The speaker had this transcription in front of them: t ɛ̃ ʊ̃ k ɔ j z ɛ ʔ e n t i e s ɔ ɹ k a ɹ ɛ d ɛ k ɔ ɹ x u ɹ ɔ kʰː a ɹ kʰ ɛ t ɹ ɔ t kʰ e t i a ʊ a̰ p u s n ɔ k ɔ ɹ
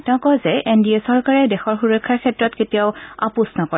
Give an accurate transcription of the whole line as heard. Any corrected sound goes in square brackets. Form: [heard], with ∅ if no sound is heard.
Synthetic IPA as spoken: t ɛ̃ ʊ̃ k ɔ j z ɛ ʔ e n [d] i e s ɔ ɹ k a ɹ ɛ d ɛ [x] ɔ ɹ x u ɹ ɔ kʰː a ɹ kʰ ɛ t ɹ ɔ t [k] e t i a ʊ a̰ p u s n ɔ k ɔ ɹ